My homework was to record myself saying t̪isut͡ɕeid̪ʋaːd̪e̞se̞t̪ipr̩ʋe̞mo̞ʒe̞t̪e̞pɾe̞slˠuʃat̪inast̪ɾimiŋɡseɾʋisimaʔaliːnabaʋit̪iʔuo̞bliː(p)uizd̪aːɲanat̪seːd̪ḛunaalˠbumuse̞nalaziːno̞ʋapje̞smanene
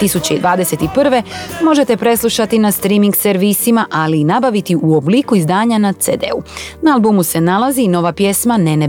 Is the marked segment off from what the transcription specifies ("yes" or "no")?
yes